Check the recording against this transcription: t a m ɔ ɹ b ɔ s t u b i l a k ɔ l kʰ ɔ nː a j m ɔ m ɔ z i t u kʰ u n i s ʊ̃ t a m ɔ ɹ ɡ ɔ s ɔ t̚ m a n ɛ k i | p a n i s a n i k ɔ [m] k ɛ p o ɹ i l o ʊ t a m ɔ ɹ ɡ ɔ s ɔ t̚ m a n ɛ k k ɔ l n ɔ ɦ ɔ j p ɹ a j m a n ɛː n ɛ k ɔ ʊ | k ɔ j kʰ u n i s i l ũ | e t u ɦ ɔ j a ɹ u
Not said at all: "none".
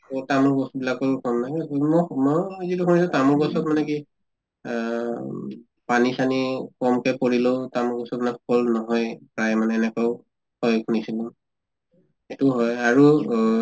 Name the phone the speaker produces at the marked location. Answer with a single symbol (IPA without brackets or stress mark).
m